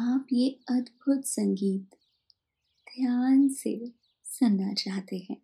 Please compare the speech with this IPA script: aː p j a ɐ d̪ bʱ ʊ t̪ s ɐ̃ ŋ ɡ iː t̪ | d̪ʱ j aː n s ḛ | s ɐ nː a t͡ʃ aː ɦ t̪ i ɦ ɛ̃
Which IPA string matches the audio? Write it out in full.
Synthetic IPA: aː p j e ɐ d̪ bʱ ʊ t̪ s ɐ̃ ŋ ɡ iː t̪ | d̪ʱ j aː n s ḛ | s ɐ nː a t͡ʃ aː ɦ t̪ e ɦ ɛ̃ː